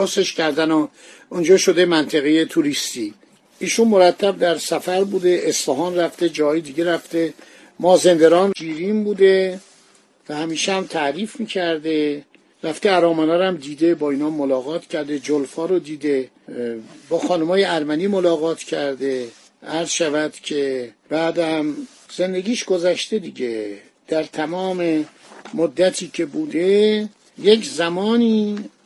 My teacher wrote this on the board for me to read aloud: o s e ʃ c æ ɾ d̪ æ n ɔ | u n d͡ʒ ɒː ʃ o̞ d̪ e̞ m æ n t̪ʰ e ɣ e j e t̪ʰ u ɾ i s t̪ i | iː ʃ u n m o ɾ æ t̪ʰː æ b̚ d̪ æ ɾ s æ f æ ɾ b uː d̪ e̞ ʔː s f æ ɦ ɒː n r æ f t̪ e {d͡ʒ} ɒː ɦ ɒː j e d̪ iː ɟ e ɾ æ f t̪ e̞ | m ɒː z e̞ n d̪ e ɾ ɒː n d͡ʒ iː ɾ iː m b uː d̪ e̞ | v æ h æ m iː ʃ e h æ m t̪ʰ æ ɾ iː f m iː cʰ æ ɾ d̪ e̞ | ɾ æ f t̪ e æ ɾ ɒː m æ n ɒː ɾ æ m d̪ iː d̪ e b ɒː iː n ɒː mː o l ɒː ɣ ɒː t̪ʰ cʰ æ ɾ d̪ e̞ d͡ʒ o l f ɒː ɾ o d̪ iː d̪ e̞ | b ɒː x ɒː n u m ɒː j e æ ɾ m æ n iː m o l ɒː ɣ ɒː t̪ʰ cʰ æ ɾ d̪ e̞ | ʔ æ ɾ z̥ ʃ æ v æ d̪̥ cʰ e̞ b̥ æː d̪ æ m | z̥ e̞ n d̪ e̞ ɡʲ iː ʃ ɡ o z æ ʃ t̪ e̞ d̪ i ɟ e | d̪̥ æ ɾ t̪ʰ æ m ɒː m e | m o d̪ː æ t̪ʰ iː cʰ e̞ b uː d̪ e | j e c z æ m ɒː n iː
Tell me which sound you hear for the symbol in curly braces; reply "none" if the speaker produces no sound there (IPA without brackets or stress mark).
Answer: d͡ʒ